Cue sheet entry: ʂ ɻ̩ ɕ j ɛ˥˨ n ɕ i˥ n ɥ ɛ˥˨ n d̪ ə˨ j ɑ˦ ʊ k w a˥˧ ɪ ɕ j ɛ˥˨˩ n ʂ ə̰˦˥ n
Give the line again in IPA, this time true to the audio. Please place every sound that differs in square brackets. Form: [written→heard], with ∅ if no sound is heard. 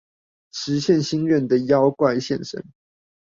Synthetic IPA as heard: ʂ ɻ̩ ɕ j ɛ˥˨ n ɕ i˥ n ɥ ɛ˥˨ n d̪ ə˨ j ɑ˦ ʊ k w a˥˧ ɪ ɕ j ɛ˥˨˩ n ʂ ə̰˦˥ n